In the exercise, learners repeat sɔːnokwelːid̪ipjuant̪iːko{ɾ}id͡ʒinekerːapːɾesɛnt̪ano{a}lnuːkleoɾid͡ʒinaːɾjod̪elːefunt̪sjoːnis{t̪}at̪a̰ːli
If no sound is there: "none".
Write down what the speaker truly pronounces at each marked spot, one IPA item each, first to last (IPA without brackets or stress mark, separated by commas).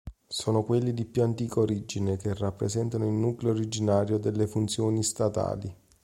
ɾ, i, t̪